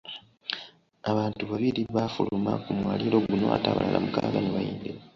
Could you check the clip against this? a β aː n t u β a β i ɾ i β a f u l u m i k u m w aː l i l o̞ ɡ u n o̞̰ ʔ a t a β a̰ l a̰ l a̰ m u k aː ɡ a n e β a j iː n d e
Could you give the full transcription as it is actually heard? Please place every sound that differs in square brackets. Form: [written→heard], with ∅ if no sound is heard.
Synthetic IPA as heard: a β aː n t u β a β i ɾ i β a f u l u m [i→a] k u m w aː l i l o̞ ɡ u n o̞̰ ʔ a t a β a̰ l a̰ l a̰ m u k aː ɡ a n e β a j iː n d e